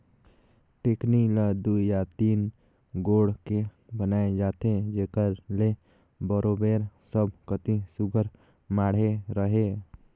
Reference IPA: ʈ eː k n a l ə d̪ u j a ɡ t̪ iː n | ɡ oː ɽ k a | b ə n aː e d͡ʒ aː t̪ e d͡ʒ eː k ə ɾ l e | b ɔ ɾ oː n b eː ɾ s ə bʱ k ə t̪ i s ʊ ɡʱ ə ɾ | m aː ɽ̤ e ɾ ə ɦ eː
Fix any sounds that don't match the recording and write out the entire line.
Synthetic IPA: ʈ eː k n i l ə d̪ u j a t̪ iː n | ɡ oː ɽ k e | b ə n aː e d͡ʒ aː t̪ e d͡ʒ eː k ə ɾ l e | b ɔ ɾ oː b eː ɾ s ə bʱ k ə t̪ i s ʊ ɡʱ ə ɾ | m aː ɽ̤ e ɾ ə ɦ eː